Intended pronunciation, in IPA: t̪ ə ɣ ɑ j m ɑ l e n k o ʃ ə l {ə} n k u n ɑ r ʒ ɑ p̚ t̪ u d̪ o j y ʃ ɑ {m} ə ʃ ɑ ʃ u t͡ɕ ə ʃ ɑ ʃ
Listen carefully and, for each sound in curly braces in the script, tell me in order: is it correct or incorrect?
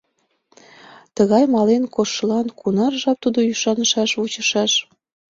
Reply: incorrect: ɑ, incorrect: n

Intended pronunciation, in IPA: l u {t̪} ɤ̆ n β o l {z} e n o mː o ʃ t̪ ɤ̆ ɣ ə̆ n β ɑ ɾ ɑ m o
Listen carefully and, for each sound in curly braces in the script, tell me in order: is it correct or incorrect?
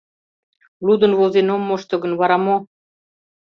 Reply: incorrect: d̪, correct

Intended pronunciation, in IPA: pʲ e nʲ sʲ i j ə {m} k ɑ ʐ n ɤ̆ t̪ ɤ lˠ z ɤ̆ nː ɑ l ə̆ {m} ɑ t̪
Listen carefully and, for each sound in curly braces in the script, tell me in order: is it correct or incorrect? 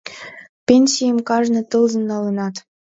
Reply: correct, incorrect: n

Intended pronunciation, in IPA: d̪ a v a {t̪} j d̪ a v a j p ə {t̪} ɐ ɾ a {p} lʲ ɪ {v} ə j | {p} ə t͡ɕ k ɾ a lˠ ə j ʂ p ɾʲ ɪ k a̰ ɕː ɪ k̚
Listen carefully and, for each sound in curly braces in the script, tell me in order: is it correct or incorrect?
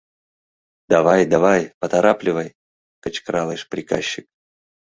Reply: incorrect: none, correct, correct, correct, incorrect: k

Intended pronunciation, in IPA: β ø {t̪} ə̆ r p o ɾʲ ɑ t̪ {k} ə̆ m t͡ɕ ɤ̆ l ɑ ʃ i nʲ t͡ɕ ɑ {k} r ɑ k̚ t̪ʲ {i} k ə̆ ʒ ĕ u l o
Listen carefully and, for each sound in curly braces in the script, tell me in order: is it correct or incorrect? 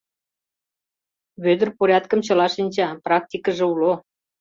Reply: incorrect: d̪, correct, incorrect: p, correct

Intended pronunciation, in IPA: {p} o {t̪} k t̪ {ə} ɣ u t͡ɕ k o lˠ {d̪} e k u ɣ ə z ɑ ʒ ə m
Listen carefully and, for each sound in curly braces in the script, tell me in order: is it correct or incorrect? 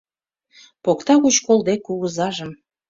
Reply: correct, incorrect: none, incorrect: ɑ, correct

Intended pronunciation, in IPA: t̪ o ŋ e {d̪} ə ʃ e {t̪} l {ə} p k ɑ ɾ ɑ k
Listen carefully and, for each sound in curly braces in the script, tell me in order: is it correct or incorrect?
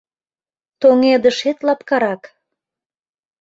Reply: correct, correct, incorrect: ɑ

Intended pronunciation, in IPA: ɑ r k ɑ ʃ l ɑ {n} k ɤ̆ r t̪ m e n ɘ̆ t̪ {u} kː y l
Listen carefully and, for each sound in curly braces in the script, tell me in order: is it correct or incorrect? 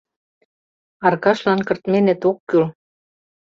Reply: correct, incorrect: o

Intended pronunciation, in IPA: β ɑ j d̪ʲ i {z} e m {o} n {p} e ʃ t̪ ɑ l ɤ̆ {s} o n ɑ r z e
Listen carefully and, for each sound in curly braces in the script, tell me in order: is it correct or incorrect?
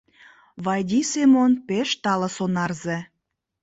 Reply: incorrect: s, correct, correct, correct

